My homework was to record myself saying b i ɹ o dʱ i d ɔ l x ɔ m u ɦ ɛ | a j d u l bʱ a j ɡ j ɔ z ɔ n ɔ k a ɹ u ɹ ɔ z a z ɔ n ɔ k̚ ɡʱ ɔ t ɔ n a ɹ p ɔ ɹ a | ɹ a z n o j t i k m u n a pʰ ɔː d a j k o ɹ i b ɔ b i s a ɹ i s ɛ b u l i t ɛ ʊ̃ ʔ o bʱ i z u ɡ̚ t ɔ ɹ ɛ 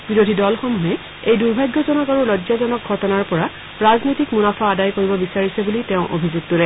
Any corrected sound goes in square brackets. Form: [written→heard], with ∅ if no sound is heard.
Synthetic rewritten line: b i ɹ o dʱ i d ɔ l x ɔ m u ɦ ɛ | [a→e] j d u [l→ɹ] bʱ a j ɡ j ɔ z ɔ n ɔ k a ɹ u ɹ ɔ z a z ɔ n ɔ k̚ ɡʱ ɔ t ɔ n a ɹ p ɔ ɹ a | ɹ a z n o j t i k m u n a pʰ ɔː d a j k o ɹ i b ɔ b i s a ɹ i s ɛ b u l i t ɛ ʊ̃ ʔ o bʱ i z u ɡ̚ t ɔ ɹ ɛ